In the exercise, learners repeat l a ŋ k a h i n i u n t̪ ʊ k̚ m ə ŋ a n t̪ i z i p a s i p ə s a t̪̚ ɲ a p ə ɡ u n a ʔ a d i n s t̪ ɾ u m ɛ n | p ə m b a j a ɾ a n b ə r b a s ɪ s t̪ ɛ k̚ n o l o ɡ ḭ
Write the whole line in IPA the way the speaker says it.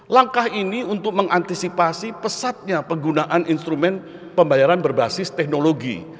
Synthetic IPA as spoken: l a ŋ k a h i n i u n t̪ ʊ k̚ m ə ŋ a n t̪ i s i p a s i p ə s a t̪̚ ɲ a p ə ɡ u n a ʔ a n i n s t̪ ɾ u m ɛ n | p ə m b a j a ɾ a n b ə r b a s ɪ s t̪ ɛ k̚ n o l o ɡ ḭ